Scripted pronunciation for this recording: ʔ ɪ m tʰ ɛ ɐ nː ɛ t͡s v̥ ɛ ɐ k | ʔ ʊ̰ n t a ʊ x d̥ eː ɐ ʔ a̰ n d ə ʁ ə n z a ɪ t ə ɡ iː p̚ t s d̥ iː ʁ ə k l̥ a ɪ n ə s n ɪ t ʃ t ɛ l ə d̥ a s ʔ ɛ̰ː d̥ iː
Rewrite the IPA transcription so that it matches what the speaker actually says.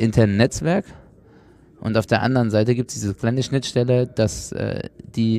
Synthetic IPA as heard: ʔ ɪ n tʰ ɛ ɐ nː ɛ t͡s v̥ ɛ ɐ k | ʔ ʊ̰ n t a ʊ f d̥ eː ɐ ʔ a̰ n d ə ʁ ə n z a ɪ t ə ɡ iː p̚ t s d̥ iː z ə k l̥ a ɪ n ə ʃ n ɪ t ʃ t ɛ l ə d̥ a s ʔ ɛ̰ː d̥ iː